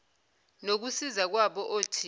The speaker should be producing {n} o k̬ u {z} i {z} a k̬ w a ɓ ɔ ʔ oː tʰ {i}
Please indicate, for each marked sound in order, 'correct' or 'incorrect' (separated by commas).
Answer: correct, incorrect, correct, correct